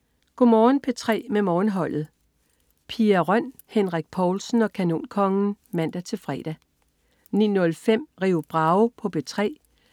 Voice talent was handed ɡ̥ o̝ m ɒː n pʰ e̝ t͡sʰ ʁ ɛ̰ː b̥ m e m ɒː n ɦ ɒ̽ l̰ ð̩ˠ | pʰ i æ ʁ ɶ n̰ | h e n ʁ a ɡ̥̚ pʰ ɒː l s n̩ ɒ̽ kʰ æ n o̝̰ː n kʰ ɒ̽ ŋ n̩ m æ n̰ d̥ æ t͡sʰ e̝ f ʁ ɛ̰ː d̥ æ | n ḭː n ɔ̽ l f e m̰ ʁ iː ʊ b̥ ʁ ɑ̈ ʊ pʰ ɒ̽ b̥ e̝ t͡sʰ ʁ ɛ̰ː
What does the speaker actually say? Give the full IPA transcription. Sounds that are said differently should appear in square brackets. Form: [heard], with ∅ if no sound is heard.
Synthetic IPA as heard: ɡ̥ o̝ m ɒː n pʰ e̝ t͡sʰ ʁ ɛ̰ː [∅] m e m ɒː n ɦ ɒ̽ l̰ ð̩ˠ | pʰ i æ ʁ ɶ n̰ | h e n ʁ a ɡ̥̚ pʰ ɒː l s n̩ ɒ̽ kʰ æ n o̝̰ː n kʰ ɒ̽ ŋ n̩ m æ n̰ d̥ æ t͡sʰ e̝ f ʁ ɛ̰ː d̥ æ | n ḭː n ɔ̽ l f e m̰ ʁ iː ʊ b̥ ʁ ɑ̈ ʊ pʰ ɒ̽ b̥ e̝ t͡sʰ ʁ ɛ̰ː